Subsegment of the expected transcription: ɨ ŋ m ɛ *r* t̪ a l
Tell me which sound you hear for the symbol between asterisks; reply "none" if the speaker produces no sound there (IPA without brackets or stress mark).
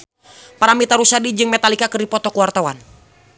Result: none